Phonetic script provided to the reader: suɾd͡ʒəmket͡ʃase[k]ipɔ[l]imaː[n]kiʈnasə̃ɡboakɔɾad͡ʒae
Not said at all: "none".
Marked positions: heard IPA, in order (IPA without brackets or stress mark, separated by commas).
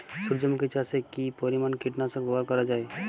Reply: k, ɾ, n